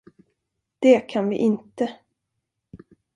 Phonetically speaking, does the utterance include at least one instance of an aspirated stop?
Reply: yes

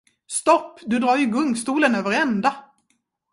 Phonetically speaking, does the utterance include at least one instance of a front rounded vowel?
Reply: yes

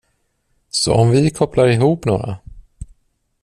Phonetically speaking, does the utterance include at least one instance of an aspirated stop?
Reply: yes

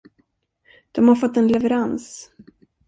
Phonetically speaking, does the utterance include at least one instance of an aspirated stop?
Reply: no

